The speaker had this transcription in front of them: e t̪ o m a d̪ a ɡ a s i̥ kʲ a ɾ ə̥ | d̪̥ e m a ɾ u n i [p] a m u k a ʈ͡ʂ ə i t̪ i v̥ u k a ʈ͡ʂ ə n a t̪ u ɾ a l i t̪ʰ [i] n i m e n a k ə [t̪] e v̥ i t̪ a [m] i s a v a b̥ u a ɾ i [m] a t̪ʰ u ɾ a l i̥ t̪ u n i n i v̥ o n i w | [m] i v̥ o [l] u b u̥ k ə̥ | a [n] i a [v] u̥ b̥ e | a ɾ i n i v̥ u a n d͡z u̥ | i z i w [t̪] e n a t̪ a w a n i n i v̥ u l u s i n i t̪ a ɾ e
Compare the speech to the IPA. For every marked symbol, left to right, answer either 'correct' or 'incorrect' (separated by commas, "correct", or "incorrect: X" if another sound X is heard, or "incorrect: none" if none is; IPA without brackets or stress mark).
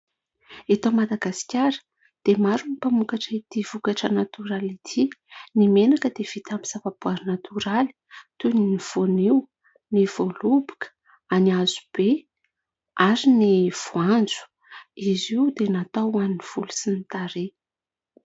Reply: correct, correct, incorrect: d̪, correct, incorrect: n, incorrect: n, correct, correct, incorrect: z, incorrect: d̪